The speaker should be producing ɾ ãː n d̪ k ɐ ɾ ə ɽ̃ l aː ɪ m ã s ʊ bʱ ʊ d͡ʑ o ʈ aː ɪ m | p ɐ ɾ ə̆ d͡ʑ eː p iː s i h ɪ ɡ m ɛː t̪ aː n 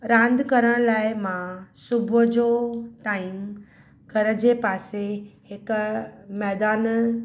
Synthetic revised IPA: ɾ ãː n d̪ k ɐ ɾ ə ɽ̃ l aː ɪ m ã s ʊ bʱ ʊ d͡ʑ o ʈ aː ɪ m | k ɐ ɾ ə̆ d͡ʑ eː p aː s e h ɪ k m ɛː d̪ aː n